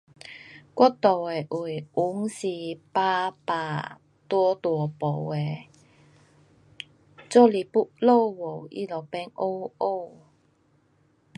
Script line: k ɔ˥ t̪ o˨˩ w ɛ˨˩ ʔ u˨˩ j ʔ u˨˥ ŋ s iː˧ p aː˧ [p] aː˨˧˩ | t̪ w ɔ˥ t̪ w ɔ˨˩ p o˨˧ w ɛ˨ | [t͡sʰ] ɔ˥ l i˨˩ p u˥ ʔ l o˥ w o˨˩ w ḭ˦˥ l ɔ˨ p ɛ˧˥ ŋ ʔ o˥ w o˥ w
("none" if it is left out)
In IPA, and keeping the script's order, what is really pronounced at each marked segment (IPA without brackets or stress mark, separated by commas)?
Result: p, t͡s